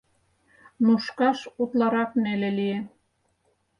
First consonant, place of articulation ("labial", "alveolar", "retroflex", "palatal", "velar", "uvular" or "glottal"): alveolar